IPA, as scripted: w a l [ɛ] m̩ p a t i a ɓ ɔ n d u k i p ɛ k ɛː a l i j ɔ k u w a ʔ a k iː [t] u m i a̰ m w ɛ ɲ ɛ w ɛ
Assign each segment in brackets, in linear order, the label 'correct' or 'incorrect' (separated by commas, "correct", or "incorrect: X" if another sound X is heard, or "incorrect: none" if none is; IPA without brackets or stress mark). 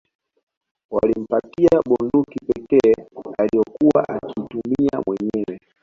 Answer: incorrect: i, correct